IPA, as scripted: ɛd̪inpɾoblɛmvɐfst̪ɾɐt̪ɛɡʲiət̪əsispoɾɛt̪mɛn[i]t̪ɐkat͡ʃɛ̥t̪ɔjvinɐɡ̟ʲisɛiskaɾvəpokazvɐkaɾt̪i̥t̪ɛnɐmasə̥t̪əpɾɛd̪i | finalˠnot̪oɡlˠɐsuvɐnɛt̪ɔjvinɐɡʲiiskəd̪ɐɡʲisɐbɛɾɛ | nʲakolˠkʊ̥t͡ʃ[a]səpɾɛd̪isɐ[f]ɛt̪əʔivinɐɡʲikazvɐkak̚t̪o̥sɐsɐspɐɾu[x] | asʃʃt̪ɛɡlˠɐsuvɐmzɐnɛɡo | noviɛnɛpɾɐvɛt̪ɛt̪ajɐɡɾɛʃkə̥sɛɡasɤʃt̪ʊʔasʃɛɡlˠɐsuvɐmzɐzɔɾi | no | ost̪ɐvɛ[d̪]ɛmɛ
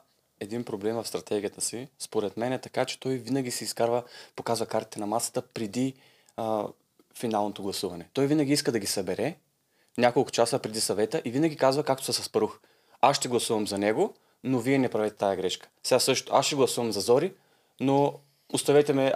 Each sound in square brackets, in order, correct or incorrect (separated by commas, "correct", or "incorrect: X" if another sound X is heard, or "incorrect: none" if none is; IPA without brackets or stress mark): incorrect: ɛ, correct, incorrect: v, correct, incorrect: t̪